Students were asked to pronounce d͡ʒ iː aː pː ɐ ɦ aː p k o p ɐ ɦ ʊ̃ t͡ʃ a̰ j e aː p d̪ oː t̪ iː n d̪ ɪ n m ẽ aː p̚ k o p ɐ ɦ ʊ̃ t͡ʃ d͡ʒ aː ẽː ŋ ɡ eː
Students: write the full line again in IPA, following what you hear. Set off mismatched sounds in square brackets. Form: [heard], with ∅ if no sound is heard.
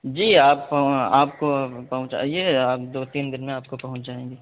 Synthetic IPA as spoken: d͡ʒ iː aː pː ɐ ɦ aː p k o p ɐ ɦ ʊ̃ t͡ʃ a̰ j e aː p d̪ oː t̪ iː n d̪ ɪ n m ẽ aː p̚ k o p ɐ ɦ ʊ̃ t͡ʃ d͡ʒ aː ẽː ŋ ɡ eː